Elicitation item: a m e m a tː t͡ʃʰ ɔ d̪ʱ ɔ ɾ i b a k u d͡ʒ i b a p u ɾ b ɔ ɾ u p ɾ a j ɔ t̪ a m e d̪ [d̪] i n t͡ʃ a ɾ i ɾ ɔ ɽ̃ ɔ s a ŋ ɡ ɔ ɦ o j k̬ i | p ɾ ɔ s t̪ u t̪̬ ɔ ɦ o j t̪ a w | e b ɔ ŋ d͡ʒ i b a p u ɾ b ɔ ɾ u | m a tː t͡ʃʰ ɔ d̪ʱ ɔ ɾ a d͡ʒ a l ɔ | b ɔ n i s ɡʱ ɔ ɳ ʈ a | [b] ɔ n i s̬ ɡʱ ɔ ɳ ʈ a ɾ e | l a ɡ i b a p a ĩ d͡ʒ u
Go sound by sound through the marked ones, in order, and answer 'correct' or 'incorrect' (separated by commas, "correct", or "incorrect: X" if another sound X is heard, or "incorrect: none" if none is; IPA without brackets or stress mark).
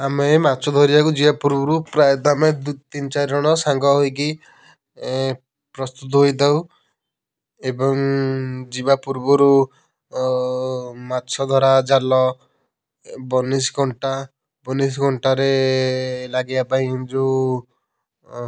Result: incorrect: t̪, correct